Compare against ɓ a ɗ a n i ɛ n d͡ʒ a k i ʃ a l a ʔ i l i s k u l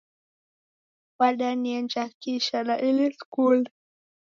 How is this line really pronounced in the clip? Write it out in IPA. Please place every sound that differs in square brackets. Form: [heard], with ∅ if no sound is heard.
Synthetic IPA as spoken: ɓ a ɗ a n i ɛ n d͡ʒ a k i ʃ a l a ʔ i l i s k u l